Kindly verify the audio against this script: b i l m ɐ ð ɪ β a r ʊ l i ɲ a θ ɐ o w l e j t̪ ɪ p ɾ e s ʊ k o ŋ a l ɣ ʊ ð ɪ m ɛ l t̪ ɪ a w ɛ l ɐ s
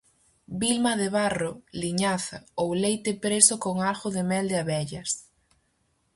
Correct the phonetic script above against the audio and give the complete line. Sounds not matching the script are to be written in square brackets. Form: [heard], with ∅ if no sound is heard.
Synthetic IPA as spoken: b i l m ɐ ð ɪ β a r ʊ l i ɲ a θ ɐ o w l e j t̪ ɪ p ɾ e s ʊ k o ŋ a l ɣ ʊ ð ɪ m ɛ l [d̪] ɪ a [β] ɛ [ʎ] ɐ s